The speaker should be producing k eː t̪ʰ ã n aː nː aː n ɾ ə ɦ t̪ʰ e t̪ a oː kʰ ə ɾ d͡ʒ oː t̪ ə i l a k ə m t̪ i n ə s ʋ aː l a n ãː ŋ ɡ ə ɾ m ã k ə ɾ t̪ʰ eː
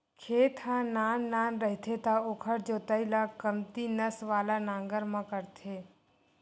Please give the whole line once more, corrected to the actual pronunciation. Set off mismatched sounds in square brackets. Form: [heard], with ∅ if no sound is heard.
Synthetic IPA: [kʰ] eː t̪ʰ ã n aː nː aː n ɾ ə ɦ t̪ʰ e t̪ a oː kʰ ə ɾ d͡ʒ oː t̪ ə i l a k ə m t̪ i n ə s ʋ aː l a n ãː ŋ ɡ ə ɾ m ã k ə ɾ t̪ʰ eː